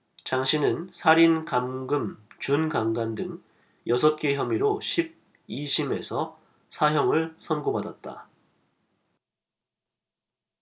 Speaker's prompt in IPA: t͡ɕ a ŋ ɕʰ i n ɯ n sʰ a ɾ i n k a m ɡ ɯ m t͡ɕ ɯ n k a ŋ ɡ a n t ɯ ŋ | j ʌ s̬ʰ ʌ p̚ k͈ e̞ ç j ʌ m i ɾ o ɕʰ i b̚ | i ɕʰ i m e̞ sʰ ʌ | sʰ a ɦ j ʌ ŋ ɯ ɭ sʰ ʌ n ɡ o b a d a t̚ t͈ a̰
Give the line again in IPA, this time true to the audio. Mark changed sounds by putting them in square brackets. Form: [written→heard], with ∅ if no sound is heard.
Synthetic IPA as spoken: t͡ɕ a ŋ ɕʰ i n ɯ n sʰ a ɾ i n k a m ɡ ɯ m t͡ɕ [ɯ→u] n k a ŋ ɡ a n [t→d] ɯ ŋ | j ʌ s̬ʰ ʌ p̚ k͈ e̞ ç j ʌ m i ɾ o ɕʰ i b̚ | i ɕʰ i m e̞ sʰ ʌ | sʰ a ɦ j ʌ ŋ ɯ ɭ sʰ ʌ n ɡ o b a d a t̚ t͈ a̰